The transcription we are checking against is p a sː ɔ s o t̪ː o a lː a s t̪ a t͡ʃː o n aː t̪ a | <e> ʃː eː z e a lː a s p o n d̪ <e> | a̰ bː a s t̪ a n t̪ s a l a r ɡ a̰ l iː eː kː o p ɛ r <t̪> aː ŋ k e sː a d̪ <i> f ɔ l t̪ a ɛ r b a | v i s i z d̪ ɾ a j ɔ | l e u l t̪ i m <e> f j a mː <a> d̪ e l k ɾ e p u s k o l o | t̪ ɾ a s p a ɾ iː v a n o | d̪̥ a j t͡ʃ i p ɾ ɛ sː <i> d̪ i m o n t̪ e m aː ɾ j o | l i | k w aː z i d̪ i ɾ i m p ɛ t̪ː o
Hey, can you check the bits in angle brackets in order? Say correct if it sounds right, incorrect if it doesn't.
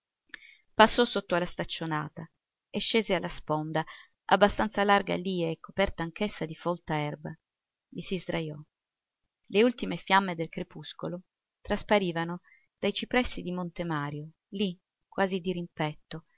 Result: correct, incorrect: a, correct, correct, correct, incorrect: e, correct

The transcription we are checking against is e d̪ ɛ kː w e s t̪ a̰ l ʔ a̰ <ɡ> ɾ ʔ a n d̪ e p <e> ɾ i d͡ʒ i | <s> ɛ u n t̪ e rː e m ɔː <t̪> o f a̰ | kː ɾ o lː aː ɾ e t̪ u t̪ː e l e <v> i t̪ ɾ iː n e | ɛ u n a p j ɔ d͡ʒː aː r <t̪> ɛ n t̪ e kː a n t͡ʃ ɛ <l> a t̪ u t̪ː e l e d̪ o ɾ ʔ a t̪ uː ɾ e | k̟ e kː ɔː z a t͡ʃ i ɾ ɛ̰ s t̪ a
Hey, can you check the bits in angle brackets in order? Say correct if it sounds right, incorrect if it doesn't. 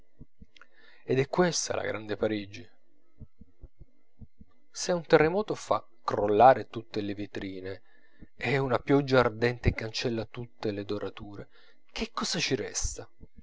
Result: correct, incorrect: a, correct, correct, correct, incorrect: d̪, incorrect: lː

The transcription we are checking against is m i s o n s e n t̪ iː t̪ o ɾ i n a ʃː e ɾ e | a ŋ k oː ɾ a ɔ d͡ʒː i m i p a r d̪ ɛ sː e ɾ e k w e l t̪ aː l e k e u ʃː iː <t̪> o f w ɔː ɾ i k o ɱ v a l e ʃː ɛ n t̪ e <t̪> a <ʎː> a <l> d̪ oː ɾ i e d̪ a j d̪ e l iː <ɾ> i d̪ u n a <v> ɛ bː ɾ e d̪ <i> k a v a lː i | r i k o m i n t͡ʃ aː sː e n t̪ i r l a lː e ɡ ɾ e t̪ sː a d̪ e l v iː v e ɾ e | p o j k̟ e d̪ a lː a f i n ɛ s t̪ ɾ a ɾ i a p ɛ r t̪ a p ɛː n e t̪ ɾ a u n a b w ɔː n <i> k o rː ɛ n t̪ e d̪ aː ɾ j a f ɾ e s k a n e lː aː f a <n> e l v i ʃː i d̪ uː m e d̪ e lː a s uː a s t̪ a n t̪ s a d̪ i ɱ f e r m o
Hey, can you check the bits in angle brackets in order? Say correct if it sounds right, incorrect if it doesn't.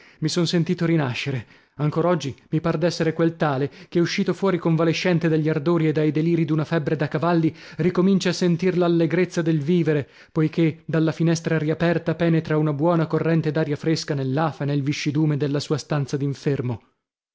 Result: correct, incorrect: d̪, correct, incorrect: r, correct, incorrect: f, incorrect: a, incorrect: a, correct

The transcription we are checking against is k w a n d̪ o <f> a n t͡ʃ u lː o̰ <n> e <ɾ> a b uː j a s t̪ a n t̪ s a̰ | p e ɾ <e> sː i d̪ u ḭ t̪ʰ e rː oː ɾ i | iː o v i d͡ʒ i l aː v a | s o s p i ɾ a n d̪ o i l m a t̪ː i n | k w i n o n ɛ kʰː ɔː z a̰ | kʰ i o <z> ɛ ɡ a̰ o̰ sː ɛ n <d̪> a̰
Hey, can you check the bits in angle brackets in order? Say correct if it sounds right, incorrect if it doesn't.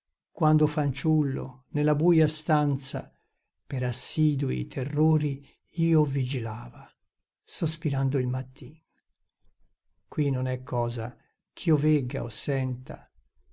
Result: correct, correct, incorrect: l, incorrect: a, incorrect: v, incorrect: t̪

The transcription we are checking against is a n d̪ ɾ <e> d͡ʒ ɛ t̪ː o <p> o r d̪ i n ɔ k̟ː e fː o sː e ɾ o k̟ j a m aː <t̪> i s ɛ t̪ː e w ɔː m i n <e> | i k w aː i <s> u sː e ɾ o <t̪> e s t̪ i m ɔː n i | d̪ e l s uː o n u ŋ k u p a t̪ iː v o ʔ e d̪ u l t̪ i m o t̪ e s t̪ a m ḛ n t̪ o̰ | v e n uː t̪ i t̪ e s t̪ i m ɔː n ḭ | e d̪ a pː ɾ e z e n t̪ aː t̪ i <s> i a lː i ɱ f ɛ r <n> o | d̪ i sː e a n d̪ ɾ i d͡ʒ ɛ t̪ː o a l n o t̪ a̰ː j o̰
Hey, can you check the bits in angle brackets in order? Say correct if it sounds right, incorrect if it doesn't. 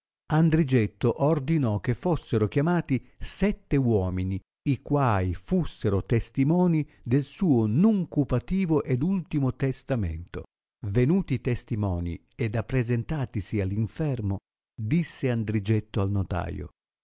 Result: incorrect: i, incorrect: ʔ, correct, incorrect: i, incorrect: f, correct, correct, incorrect: m

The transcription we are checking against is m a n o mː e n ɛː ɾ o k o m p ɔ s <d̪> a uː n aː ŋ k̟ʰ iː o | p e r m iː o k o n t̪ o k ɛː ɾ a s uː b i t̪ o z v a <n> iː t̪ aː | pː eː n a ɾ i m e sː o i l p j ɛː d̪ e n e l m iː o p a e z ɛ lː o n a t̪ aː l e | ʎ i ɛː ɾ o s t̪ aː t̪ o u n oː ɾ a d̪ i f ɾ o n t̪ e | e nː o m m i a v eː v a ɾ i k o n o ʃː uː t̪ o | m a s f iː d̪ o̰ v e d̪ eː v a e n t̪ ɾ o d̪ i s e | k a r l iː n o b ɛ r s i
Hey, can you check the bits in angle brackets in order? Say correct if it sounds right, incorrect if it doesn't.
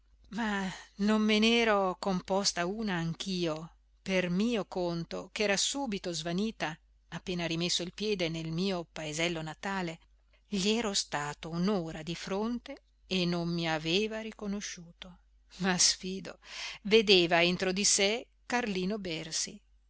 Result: incorrect: t̪, correct

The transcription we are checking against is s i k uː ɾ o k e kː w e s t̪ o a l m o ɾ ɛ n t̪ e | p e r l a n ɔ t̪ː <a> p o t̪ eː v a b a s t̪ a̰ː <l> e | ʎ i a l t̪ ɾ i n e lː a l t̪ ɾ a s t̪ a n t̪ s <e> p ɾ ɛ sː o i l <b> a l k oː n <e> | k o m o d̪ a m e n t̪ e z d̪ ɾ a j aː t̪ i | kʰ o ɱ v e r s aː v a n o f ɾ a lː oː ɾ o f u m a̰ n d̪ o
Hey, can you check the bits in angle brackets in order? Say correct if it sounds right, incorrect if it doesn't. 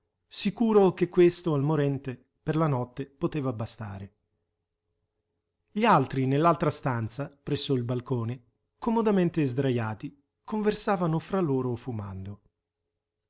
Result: incorrect: e, incorrect: ɾ, incorrect: a, correct, correct

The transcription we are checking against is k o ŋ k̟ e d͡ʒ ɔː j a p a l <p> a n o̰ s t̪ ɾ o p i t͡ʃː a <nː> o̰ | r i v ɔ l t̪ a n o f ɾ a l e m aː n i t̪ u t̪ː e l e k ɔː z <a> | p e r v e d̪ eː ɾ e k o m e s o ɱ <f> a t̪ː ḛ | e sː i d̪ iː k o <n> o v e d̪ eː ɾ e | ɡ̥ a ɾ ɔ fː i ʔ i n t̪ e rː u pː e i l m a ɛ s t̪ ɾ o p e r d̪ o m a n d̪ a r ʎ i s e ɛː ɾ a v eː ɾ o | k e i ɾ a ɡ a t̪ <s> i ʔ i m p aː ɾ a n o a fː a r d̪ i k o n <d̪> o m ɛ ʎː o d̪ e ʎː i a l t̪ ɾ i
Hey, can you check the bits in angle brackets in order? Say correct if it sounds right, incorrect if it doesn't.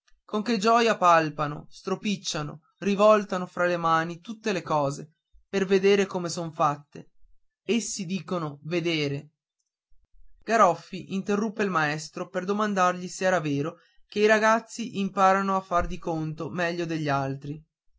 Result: correct, incorrect: n, incorrect: e, correct, correct, incorrect: sː, incorrect: t̪

